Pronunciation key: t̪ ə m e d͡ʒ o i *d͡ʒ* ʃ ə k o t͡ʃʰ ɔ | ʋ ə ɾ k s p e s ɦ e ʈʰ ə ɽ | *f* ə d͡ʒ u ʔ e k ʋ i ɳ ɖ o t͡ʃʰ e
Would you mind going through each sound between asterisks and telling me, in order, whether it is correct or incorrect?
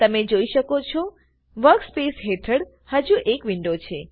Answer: incorrect, incorrect

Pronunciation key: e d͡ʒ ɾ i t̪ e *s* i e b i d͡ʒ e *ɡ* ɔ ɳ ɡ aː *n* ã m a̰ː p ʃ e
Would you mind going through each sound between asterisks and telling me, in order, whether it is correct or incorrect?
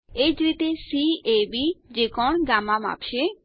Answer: correct, incorrect, incorrect

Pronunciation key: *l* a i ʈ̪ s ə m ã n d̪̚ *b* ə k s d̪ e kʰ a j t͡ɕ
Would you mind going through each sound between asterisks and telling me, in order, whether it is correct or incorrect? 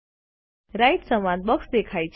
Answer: incorrect, correct

